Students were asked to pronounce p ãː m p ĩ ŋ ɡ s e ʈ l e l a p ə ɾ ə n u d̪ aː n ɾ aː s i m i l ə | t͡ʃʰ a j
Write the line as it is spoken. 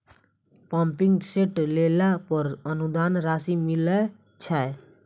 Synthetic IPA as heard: p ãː m p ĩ ŋ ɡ s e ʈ l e l a p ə ɾ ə n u d̪ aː n ɾ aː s i m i l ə | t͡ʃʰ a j

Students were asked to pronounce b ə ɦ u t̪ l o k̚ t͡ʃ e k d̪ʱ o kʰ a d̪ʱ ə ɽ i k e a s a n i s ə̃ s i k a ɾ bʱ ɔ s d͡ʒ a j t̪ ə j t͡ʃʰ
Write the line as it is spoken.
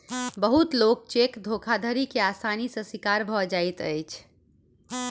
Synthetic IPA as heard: b ə ɦ u t̪ l o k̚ t͡ʃ e k d̪ʱ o kʰ a d̪ʱ ə ɾ i k e a s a n i s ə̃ s i k a ɾ bʱ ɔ d͡ʒ a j t̪ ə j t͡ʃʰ

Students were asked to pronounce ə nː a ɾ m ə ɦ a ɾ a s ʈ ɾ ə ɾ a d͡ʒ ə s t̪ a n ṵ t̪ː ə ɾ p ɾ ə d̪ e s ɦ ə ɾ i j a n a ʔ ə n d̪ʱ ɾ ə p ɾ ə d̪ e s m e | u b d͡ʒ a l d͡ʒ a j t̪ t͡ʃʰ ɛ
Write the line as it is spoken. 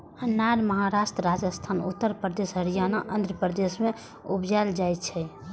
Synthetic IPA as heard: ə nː a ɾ m ə ɦ a ɾ a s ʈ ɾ ə ɾ a d͡ʒ ə s t̪ʰ a n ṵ t̪ː ə ɾ p ɾ ə d̪ e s ɦ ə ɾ i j a n a ʔ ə n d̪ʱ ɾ ə p ɾ ə d̪ e s m e | u b d͡ʒ a l d͡ʒ a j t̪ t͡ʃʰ ɛ

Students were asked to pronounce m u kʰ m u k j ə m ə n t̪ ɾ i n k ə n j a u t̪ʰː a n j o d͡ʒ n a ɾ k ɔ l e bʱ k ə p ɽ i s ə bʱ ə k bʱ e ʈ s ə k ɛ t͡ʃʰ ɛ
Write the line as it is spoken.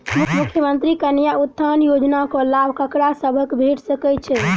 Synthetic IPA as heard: m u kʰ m u kʰ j ə m ə n t̪ ɾ i k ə n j a u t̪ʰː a n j o d͡ʒ n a k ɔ l a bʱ k ə k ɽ a s ə bʱ ə k bʱ e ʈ s ə k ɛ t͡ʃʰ ɛ

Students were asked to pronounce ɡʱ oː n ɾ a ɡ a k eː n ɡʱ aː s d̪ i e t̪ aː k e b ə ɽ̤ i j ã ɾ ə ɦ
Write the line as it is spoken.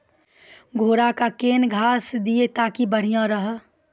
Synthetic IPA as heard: ɡʱ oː ɾ a k a k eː n ɡʱ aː s d̪ i e t̪ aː k i b ə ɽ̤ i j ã ɾ ə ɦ

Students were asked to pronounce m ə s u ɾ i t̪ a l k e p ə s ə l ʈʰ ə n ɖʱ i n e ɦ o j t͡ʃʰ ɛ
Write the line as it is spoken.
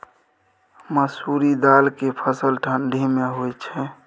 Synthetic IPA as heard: m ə s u ɾ i d̪ a l k e pʰ ə s ə l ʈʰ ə n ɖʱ i m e ɦ o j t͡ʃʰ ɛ

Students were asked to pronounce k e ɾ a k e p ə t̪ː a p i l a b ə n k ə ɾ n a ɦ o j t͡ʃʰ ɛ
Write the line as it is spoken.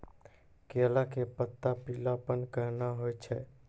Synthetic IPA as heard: k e l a k e p ə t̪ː a p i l a p ə n k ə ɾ n a ɦ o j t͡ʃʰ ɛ

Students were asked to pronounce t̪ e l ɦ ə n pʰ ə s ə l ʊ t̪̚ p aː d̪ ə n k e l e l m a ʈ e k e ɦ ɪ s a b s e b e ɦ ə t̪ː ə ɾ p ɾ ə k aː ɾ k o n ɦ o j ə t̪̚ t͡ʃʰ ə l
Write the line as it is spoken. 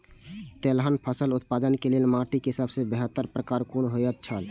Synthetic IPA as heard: t̪ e l ɦ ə n pʰ ə s ə l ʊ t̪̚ p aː d̪ ə n k e l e l m a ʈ i k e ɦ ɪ s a b s e b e ɦ ə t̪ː ə ɾ p ɾ ə k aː ɾ k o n ɦ o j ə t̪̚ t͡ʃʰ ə l

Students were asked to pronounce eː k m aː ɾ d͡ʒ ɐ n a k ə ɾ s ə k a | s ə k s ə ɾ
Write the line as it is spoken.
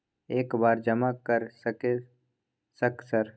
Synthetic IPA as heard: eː k b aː ɾ d͡ʒ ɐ m a k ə ɾ s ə k e | s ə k s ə ɾ

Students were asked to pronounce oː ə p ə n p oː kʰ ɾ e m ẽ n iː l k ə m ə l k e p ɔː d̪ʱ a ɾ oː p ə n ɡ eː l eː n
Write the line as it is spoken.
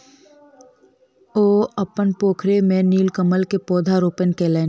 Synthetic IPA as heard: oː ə p ə n p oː kʰ ɾ e m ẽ n iː l k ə m ə l k e p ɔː d̪ʱ a ɾ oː p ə n k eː l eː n

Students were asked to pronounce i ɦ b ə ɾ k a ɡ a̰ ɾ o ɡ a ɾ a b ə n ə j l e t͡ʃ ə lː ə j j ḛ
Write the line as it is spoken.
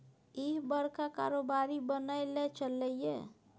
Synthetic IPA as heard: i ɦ b ə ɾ k a k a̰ ɾ o b a ɾ i b ə n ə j l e t͡ʃ ə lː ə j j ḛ

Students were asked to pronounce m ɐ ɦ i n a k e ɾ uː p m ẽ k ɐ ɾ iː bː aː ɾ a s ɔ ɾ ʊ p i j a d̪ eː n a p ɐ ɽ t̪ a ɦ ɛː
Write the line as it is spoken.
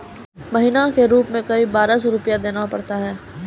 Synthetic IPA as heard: m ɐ ɦ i n a k e ɾ uː p m ẽ k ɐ ɾ iː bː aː ɾ a s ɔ ɾ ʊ p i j a d̪ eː n a p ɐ ɽ t̪ a ɦ ɛː

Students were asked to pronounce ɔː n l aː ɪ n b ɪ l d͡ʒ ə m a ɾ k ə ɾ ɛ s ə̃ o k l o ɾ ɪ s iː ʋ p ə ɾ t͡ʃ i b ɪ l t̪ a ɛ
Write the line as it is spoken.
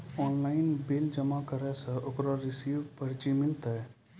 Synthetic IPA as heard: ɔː n l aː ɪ n b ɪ l d͡ʒ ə m a k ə ɾ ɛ s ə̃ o k ɾ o ɾ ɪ s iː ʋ p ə ɾ t͡ʃ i m ɪ l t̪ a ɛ

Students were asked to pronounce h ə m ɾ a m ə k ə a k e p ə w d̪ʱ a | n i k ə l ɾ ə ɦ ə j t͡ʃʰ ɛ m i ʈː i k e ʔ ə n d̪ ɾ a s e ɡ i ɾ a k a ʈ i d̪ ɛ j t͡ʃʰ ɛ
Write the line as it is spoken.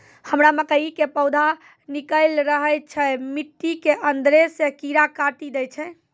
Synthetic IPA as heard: h ə m ɾ a m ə k ə i k e p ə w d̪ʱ a | n i k ə l ɾ ə ɦ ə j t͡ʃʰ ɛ m i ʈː i k e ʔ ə n d̪ ɾ e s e k i ɾ a k a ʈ i d̪ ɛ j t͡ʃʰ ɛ

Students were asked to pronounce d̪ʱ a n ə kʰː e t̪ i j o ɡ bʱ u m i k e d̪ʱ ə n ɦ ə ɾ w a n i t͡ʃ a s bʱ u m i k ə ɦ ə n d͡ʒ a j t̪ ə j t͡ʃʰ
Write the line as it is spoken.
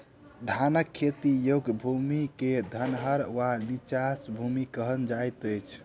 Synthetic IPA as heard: d̪ʱ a n ə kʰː e t̪ i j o ɡ bʱ u m i k e d̪ʱ ə n ɦ ə ɾ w a n i t͡ʃ a s bʱ u m i k ə ɦ ə n d͡ʒ a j t̪ ə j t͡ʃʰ

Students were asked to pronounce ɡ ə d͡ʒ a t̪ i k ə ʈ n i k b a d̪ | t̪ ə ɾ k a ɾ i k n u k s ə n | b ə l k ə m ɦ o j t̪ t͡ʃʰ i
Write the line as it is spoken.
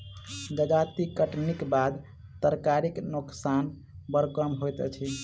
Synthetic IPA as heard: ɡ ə d͡ʒ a t̪ i k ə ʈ n i k b a d̪ | t̪ ə ɾ k a ɾ i k n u k s a n | b ə ɾ k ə m ɦ o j t̪ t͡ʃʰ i

